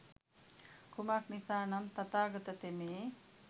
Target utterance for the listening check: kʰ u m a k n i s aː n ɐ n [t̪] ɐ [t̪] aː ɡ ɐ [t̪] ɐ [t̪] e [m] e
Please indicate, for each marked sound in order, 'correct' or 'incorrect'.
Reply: correct, correct, correct, correct, correct

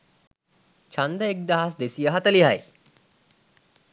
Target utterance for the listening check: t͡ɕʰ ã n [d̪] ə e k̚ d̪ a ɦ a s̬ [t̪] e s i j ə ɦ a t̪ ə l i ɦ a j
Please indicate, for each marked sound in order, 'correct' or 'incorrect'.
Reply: correct, incorrect

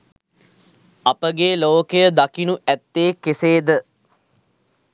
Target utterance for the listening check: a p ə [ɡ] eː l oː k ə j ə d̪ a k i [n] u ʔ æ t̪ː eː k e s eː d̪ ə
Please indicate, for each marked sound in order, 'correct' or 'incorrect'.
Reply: correct, correct

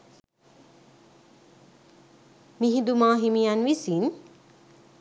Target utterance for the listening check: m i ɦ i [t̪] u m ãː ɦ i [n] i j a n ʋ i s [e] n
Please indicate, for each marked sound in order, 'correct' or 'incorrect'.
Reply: incorrect, incorrect, incorrect

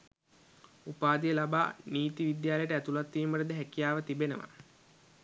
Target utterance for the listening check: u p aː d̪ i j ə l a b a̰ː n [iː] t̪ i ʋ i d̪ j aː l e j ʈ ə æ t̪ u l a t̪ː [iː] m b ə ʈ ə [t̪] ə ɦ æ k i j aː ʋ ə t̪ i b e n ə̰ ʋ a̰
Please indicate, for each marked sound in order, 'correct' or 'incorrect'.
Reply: correct, correct, incorrect

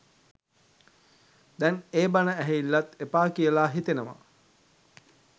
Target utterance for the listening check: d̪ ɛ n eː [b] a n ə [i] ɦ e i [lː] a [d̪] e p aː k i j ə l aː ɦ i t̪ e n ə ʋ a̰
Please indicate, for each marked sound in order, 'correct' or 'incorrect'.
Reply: correct, incorrect, correct, incorrect

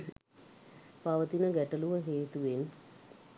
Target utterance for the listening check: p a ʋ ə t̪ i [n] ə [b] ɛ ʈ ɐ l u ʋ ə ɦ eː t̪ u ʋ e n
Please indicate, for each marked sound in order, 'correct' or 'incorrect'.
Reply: correct, incorrect

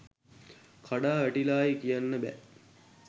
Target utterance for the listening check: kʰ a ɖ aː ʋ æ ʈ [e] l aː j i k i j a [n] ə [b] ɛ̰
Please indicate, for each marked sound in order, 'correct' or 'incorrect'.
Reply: incorrect, incorrect, correct

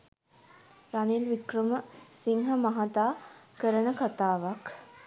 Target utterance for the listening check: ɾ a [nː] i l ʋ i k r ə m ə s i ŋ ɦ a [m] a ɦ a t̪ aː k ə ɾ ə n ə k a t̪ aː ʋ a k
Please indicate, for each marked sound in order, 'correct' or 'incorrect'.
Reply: incorrect, correct

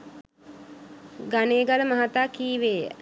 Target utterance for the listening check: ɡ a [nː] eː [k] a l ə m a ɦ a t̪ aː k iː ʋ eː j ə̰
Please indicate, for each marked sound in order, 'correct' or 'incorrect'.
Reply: incorrect, incorrect

